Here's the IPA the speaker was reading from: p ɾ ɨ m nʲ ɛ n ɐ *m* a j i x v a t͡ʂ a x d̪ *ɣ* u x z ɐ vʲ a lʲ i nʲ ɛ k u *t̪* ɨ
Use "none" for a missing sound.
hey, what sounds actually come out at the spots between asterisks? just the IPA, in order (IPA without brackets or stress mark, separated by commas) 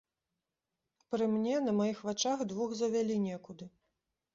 m, v, d̪